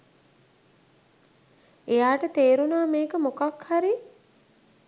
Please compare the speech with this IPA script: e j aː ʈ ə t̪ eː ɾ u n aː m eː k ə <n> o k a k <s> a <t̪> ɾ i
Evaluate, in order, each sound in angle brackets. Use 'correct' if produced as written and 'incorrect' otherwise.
incorrect, incorrect, incorrect

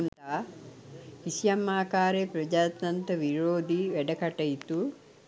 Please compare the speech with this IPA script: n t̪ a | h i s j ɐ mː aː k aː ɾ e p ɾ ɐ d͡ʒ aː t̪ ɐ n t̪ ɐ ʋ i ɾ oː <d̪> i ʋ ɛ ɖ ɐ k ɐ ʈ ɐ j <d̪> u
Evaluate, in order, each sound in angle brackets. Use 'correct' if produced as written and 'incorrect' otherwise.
correct, incorrect

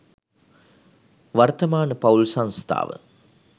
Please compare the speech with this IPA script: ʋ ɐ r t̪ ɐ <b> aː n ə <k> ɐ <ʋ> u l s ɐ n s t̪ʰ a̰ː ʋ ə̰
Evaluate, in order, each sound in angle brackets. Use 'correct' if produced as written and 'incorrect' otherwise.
incorrect, incorrect, incorrect

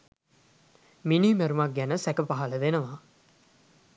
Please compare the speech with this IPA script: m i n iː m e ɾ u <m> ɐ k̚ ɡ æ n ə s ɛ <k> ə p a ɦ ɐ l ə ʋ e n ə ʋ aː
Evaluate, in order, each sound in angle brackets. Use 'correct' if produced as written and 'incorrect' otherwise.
correct, correct

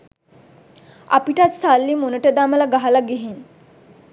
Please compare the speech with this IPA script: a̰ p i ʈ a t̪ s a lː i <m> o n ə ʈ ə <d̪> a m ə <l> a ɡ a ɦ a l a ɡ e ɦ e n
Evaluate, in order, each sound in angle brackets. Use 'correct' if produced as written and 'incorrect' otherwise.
correct, correct, correct

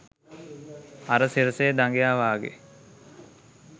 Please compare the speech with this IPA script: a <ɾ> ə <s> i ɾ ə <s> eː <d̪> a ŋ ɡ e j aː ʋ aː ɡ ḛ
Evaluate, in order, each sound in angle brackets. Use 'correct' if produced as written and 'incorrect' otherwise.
correct, correct, correct, correct

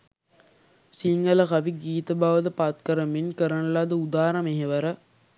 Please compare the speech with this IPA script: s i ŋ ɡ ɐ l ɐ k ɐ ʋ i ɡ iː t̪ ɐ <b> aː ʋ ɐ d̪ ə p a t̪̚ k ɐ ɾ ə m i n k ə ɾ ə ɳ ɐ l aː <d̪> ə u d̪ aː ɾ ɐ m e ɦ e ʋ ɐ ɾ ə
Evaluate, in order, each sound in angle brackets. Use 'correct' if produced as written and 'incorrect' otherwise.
correct, correct

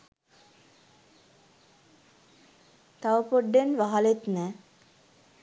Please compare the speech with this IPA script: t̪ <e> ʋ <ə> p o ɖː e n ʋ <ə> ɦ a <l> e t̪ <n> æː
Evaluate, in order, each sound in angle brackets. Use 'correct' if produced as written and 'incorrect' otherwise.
incorrect, correct, incorrect, correct, correct

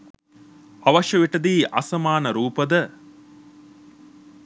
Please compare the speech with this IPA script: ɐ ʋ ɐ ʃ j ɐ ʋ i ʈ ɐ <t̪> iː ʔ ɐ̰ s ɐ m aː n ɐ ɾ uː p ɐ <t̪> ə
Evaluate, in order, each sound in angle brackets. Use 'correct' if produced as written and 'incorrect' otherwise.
incorrect, incorrect

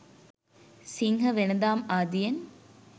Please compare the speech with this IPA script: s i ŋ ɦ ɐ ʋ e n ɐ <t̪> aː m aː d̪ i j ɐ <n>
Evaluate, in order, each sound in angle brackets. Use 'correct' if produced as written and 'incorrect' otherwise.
incorrect, correct

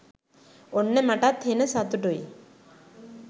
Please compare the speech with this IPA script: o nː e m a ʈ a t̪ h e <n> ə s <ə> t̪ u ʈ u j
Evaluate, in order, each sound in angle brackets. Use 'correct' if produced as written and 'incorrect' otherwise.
correct, incorrect

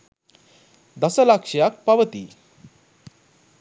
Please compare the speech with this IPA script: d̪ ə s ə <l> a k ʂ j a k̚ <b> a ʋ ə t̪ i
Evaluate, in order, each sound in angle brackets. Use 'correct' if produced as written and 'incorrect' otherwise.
correct, incorrect

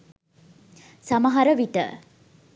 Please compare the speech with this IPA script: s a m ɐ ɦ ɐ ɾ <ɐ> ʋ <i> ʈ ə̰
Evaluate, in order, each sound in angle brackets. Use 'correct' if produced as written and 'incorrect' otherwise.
incorrect, correct

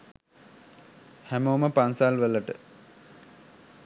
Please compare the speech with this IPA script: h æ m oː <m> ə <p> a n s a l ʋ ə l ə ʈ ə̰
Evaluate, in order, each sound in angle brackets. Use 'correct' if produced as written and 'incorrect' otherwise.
correct, correct

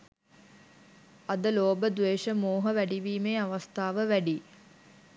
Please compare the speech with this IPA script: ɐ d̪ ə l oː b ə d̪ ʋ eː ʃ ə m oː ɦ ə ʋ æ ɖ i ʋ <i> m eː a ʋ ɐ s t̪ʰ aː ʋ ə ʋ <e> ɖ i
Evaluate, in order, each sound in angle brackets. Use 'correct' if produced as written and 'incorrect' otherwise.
incorrect, incorrect

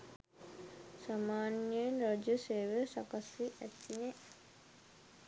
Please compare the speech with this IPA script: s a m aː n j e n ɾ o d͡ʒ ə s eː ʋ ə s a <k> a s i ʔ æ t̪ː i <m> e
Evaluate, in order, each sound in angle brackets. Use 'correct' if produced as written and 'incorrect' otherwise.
correct, incorrect

